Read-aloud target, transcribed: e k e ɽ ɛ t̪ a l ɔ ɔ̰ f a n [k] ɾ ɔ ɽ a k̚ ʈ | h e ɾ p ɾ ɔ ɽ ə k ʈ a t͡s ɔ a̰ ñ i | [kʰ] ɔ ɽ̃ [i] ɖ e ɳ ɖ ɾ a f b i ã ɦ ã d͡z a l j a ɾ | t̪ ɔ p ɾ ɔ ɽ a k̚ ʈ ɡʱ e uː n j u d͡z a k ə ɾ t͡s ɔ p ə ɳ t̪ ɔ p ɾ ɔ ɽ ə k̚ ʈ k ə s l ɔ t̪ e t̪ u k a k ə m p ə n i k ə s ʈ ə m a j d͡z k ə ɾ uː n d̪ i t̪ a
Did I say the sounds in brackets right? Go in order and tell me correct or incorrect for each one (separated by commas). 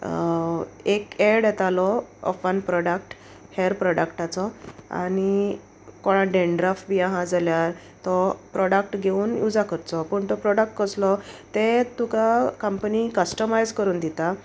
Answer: incorrect, incorrect, incorrect